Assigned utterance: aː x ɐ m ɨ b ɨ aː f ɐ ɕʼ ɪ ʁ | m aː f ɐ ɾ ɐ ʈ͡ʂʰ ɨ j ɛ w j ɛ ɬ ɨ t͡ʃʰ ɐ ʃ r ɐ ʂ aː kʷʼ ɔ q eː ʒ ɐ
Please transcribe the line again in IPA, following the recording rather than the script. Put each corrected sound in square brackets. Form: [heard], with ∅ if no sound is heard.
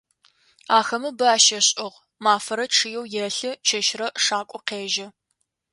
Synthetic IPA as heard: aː x ɐ m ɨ b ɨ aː [ʃ] ɐ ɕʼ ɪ ʁ | m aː f ɐ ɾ ɐ ʈ͡ʂʰ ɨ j ɛ w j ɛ ɬ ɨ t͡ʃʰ ɐ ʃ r ɐ ʂ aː kʷʼ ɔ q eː ʒ ɐ

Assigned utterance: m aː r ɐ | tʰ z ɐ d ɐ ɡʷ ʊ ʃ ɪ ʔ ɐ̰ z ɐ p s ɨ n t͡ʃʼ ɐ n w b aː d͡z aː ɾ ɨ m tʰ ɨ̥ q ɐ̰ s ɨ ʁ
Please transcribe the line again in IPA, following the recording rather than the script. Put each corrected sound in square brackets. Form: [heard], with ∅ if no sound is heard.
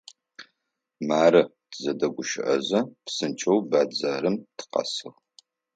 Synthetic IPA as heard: m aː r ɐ | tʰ z ɐ d ɐ ɡʷ ʊ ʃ ɪ ʔ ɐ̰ z ɐ p s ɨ n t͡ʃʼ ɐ [∅] w b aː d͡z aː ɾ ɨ m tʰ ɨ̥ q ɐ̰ s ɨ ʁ

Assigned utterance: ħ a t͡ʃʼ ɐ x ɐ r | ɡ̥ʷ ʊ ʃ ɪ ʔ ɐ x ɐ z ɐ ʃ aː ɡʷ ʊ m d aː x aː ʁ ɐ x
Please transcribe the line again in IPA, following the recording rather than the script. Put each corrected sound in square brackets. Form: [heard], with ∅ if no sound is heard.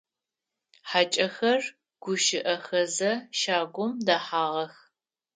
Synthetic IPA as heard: ħ a t͡ʃʼ ɐ x ɐ r | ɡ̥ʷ ʊ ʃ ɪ ʔ ɐ x ɐ z ɐ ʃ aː ɡʷ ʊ m d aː [ħ] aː ʁ ɐ x

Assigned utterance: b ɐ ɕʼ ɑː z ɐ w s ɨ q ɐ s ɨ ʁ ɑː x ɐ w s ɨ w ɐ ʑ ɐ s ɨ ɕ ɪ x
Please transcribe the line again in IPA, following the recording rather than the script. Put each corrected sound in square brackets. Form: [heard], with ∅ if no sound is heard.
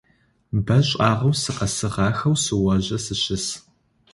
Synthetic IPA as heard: b ɐ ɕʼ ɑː [ʁ] ɐ w s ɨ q ɐ s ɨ ʁ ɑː x ɐ w s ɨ w ɐ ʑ ɐ s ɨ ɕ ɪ [s]

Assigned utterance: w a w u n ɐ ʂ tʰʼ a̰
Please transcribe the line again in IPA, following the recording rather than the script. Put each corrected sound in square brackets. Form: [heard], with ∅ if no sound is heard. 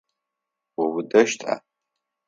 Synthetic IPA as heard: w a w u [d] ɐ [ʃ] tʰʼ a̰

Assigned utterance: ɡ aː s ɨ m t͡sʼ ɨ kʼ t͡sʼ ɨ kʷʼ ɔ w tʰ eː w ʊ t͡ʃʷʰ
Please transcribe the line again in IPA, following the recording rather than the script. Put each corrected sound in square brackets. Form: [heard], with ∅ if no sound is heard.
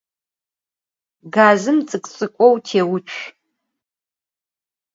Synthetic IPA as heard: ɡ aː [z] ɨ m t͡sʼ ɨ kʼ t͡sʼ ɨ kʷʼ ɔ w tʰ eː w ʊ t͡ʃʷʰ

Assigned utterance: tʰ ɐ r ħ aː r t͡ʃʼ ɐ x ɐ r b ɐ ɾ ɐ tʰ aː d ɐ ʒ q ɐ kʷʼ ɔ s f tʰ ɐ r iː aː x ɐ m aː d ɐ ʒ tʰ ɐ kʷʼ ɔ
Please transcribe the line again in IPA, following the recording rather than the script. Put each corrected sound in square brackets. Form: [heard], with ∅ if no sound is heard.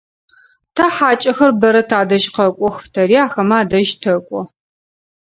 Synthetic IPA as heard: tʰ ɐ [∅] ħ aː [∅] t͡ʃʼ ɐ x ɐ r b ɐ ɾ ɐ tʰ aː d ɐ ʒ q ɐ kʷʼ ɔ [x] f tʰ ɐ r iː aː x ɐ m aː d ɐ ʒ tʰ ɐ kʷʼ ɔ

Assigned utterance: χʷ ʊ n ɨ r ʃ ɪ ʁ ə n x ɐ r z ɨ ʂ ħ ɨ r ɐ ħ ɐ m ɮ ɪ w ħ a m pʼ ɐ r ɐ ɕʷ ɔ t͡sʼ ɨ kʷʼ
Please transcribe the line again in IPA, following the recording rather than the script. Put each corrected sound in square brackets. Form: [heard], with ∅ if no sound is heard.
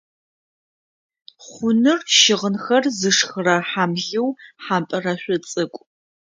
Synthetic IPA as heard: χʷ ʊ n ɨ r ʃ ɪ ʁ ə n x ɐ r z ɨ ʂ [x] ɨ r ɐ ħ [a] m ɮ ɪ w ħ a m pʼ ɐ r ɐ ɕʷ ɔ t͡sʼ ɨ kʷʼ

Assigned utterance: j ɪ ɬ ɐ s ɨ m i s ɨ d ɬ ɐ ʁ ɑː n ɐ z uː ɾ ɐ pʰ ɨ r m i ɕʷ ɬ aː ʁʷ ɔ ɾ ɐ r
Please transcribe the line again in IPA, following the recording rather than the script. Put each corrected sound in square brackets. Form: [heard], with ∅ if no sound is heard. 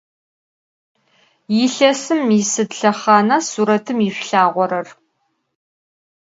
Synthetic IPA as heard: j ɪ ɬ ɐ s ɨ m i s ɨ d ɬ ɐ [χ] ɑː n ɐ [s] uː ɾ ɐ [tʰ] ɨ [∅] m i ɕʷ ɬ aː ʁʷ ɔ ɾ ɐ r

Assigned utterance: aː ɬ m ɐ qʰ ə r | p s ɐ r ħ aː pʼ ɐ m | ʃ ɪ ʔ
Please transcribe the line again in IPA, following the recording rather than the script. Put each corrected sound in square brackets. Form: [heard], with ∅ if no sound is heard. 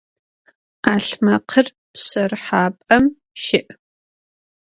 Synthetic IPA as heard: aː ɬ m ɐ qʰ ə r | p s ɐ r ħ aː pʼ ɐ m | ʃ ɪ ʔ

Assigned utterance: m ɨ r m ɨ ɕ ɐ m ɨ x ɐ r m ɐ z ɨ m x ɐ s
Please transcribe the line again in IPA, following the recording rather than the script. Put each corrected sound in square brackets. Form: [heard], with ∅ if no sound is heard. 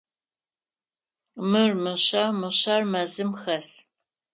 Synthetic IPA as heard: m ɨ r m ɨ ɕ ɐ m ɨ [ɕ] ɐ r m ɐ z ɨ m x ɐ s

